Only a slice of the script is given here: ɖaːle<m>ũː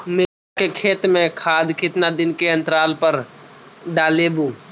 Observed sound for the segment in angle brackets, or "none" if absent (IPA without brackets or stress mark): b